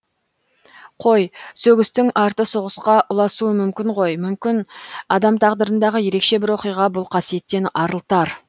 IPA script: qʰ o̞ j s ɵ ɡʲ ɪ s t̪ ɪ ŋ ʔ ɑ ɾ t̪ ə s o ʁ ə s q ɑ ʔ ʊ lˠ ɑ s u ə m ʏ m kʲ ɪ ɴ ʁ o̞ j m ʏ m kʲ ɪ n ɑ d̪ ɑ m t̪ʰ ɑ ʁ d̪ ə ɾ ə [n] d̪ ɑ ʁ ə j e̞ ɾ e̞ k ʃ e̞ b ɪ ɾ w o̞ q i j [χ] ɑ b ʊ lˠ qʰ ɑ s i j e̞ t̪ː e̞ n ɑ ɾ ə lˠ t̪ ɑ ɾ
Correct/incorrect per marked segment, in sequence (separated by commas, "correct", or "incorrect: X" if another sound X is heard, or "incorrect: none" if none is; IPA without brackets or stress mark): correct, incorrect: ʁ